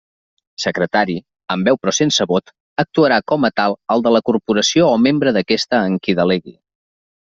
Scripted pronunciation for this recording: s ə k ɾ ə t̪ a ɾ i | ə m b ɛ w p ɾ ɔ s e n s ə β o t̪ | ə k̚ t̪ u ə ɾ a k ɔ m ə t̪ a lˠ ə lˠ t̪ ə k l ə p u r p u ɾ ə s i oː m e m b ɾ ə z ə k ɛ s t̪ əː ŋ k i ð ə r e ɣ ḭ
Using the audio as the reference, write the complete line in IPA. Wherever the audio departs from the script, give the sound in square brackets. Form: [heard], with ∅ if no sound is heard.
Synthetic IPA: s ə k ɾ ə t̪ a ɾ i | ə m b ɛ w p ɾ ɔ s e n s ə β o t̪ | ə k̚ t̪ u ə ɾ a k ɔ m ə t̪ a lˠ ə lˠ [d̪] ə [∅] l ə [k] u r p u ɾ ə s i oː m e m b ɾ ə [ð] ə k ɛ s t̪ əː ŋ k i ð ə [l] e ɣ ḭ